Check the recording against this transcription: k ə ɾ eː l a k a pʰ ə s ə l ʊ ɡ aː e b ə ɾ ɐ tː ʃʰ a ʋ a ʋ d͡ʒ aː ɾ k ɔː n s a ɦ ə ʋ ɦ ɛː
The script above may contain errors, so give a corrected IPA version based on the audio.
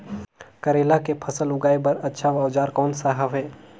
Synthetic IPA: k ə ɾ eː l a k e pʰ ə s ə l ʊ ɡ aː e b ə ɾ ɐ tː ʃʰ a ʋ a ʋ d͡ʒ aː ɾ k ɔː n s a ɦ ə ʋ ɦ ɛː